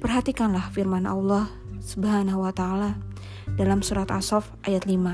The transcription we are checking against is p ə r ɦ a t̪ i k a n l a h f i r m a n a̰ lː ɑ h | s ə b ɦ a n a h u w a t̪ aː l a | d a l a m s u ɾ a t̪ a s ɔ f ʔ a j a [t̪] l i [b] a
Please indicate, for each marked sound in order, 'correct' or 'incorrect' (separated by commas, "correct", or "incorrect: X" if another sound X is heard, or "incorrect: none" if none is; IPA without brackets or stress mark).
correct, incorrect: m